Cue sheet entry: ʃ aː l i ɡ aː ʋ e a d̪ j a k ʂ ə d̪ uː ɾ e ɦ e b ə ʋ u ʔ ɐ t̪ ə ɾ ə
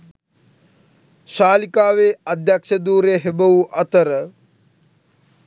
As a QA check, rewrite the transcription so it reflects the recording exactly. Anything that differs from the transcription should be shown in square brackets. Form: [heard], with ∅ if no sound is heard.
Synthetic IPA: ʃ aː l i [k] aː ʋ e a d̪ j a k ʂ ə d̪ uː ɾ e ɦ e b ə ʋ u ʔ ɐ t̪ ə ɾ ə